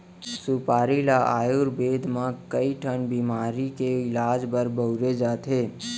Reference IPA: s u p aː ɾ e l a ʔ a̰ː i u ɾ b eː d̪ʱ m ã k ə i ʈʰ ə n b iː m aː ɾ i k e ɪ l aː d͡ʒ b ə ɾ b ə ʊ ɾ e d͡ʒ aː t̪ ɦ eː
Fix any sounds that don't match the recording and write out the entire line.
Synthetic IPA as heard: s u p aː ɾ i l a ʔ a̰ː j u ɾ b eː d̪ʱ m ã k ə i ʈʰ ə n b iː m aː ɾ i k e ɪ l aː d͡ʒ b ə ɾ b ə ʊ ɾ e d͡ʒ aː t̪ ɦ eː